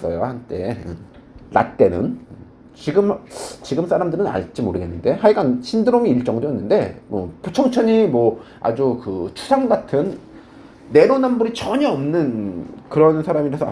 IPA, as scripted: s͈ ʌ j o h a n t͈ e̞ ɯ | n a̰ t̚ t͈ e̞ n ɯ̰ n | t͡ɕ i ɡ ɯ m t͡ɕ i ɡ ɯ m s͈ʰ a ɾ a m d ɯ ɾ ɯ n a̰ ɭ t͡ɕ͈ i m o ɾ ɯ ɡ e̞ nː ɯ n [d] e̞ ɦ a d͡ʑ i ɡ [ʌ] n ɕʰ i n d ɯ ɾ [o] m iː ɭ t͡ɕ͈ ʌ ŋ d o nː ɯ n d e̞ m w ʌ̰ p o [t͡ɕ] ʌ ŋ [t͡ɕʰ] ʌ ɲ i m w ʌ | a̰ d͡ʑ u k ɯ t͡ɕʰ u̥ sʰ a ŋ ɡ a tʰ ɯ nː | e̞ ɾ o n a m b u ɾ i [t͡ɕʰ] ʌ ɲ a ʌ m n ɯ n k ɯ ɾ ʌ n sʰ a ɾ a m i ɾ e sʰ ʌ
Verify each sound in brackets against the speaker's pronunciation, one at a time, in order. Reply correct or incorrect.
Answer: correct, incorrect: a, correct, incorrect: t͡ɕʰ, correct, incorrect: t͡ɕ

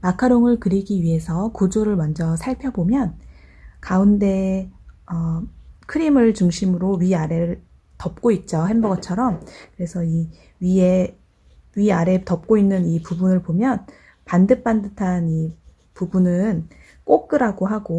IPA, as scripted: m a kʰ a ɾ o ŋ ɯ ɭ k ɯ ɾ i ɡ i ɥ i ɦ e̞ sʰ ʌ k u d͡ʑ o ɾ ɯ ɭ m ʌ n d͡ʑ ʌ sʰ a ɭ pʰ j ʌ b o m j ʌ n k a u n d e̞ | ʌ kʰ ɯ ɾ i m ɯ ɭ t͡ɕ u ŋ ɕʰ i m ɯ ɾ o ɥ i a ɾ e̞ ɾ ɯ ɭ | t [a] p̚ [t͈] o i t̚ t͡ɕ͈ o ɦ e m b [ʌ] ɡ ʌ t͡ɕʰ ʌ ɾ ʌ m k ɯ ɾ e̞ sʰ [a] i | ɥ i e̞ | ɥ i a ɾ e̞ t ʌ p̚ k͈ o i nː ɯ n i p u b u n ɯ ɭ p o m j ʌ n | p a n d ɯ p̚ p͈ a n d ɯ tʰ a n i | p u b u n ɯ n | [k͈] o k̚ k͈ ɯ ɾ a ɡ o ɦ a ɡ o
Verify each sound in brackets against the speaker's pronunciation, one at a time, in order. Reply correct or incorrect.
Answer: incorrect: ʌ, incorrect: k͈, correct, incorrect: ʌ, correct

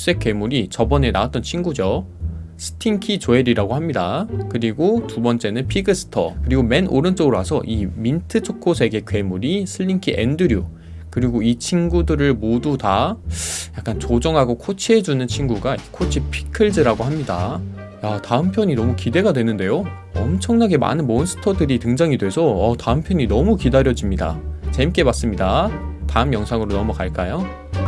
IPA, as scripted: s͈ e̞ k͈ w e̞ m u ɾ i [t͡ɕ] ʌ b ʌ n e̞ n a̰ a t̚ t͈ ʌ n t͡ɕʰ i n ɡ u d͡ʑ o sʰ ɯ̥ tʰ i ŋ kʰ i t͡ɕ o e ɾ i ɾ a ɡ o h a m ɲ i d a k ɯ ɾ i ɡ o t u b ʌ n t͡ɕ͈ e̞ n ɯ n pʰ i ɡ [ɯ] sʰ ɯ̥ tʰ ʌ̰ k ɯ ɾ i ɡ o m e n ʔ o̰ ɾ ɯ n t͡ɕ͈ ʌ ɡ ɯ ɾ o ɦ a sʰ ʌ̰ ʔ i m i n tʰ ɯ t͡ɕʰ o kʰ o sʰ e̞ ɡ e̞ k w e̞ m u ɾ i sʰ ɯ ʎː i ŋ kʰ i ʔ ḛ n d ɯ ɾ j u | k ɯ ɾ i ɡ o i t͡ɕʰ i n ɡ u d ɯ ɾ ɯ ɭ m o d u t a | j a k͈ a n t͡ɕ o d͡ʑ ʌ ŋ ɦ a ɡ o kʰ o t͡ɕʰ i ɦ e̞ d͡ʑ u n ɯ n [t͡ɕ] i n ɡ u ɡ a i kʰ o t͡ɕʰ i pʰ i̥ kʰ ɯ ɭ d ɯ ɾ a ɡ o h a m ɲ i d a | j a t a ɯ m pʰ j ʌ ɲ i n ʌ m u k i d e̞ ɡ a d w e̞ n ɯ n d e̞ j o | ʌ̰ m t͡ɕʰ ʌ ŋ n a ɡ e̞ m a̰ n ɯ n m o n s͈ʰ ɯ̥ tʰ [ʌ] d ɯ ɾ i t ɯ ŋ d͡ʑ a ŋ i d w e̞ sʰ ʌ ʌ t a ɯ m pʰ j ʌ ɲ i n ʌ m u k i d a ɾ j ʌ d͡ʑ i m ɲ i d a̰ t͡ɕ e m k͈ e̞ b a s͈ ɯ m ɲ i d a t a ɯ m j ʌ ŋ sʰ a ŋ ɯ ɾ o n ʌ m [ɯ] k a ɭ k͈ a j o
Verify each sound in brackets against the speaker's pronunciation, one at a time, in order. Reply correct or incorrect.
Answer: correct, correct, incorrect: t͡ɕʰ, correct, incorrect: u

